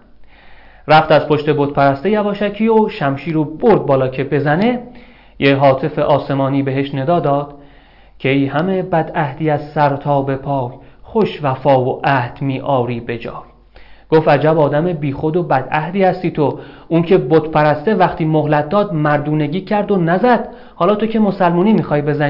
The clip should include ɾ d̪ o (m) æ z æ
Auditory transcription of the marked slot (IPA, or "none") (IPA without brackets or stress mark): n